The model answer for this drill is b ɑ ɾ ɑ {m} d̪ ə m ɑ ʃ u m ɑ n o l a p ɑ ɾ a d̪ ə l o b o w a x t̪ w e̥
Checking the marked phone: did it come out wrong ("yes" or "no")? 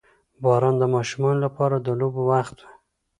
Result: yes